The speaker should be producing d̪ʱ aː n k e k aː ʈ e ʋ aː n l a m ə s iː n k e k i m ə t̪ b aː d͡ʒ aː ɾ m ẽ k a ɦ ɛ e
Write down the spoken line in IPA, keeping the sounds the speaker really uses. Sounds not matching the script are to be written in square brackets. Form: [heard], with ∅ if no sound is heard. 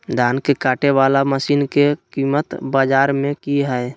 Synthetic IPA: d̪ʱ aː n k e k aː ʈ e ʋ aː [∅] l a m ə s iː n k e k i m ə t̪ b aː d͡ʒ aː ɾ m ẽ k [i] ɦ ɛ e